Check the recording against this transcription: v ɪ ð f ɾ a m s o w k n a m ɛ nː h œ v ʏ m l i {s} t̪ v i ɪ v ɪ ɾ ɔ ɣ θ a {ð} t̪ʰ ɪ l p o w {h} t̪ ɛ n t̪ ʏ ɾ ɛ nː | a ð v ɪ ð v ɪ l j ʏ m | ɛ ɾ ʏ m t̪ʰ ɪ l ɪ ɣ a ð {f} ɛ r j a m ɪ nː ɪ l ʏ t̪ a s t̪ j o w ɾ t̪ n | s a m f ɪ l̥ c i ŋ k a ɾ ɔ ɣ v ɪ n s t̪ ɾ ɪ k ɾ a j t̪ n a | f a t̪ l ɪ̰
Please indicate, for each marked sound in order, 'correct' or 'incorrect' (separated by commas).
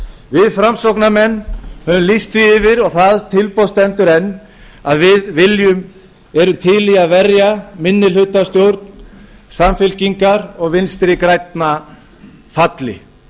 correct, correct, incorrect, incorrect